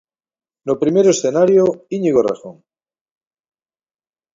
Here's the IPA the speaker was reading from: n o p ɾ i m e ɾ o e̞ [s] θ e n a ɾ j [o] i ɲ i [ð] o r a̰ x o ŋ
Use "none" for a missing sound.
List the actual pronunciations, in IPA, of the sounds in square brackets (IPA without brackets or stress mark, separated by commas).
s, o, ɣ